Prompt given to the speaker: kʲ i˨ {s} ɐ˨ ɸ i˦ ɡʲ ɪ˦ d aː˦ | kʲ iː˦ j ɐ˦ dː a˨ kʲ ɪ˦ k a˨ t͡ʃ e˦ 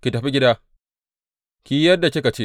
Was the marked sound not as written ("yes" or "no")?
yes